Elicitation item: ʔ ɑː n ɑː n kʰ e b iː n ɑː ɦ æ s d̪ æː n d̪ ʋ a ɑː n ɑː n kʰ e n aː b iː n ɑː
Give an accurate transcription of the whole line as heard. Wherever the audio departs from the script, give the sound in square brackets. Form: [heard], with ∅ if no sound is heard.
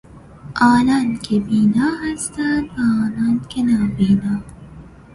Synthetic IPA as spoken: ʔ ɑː n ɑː n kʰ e b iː n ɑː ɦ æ s [t̪] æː n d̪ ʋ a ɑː n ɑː n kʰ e n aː b iː n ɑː

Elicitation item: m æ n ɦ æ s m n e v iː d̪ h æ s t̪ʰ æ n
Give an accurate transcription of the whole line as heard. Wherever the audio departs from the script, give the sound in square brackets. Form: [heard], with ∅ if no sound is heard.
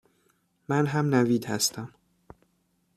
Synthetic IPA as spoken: m æ n ɦ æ [∅] m n [æ] v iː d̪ h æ s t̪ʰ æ [m]

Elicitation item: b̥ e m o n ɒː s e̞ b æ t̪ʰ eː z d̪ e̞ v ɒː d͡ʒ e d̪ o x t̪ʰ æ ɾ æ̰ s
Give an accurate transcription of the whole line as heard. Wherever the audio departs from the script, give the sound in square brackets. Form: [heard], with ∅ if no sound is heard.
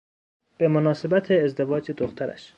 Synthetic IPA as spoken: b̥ e m o n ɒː s e̞ b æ t̪ʰ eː z d̪ e̞ v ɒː d͡ʒ e d̪ o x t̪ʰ æ ɾ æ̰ [ʃ]

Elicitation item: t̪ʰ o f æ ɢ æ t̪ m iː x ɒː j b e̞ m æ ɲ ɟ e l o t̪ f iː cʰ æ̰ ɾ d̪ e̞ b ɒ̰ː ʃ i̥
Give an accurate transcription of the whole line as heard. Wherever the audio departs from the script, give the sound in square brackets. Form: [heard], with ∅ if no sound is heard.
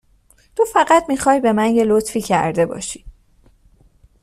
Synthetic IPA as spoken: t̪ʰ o f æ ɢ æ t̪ m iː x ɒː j b e̞ m æ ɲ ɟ e l o t̪ f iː cʰ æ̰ ɾ d̪ e̞ b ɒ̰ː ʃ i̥

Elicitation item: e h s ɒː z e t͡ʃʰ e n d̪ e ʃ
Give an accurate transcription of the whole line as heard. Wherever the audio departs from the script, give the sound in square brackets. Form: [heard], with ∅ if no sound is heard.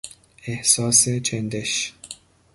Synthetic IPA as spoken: e h s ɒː [s] e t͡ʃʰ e n d̪ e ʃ

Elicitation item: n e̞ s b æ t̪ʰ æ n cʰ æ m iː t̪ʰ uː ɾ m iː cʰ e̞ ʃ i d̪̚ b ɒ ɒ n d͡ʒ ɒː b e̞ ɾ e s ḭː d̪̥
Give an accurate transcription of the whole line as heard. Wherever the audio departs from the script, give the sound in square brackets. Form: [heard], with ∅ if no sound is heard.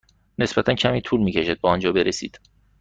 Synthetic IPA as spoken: n e̞ s b æ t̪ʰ æ n cʰ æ m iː t̪ʰ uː [l] m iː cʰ e̞ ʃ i d̪̚ b ɒ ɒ n d͡ʒ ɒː b e̞ ɾ e s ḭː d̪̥

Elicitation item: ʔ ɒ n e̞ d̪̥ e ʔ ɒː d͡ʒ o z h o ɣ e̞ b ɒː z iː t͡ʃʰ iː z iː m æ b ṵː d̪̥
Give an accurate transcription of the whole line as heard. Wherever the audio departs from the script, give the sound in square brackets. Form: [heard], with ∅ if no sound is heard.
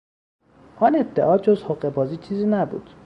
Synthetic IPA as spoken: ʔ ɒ n e̞ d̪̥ e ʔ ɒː d͡ʒ o z h o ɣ e̞ b ɒː z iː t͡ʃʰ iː z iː [n] æ b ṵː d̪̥

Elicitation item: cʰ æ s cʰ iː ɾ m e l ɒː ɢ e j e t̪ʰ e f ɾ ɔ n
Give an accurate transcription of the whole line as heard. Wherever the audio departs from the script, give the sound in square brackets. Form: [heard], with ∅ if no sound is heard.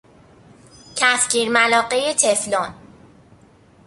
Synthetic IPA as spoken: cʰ æ [f] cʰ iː ɾ m [æ] l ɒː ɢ e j e t̪ʰ e f [l] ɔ n

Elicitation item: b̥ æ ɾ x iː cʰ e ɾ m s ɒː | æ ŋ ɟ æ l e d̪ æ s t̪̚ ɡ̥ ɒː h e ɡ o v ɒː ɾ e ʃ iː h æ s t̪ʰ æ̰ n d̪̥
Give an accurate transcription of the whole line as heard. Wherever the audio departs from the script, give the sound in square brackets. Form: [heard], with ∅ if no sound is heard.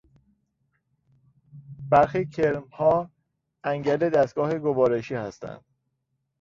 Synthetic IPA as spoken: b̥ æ ɾ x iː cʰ e ɾ m [h] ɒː | æ ŋ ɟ æ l e d̪ æ s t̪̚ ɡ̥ ɒː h e ɡ o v ɒː ɾ e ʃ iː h æ s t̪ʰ æ̰ n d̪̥

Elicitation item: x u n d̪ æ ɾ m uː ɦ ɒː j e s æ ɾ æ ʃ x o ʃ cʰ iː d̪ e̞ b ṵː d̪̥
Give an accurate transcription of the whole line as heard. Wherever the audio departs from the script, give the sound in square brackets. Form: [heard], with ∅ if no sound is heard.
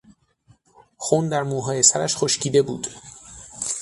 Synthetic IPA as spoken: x u n d̪ æ ɾ m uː ɦ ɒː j e s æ ɾ æ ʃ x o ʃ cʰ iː d̪ e̞ b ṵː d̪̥

